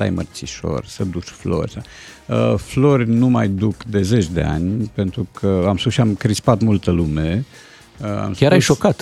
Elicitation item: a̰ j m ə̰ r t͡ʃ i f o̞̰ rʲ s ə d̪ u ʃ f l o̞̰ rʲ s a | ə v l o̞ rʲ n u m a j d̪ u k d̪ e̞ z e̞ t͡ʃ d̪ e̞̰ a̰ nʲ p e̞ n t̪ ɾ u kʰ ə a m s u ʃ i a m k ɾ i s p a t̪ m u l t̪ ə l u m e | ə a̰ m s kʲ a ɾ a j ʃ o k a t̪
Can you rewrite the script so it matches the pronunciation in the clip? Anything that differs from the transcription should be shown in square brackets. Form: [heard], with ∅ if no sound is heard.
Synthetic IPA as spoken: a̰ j m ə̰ r t͡ʃ i [ʃ] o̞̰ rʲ s ə d̪ u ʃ f l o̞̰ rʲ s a | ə [f] l o̞ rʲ n u m a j d̪ u k d̪ e̞ z e̞ t͡ʃ d̪ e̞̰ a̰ nʲ p e̞ n t̪ ɾ u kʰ ə a m s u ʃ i a m k ɾ i s p a t̪ m u l t̪ ə l u m e | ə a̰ m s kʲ a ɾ a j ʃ o k a t̪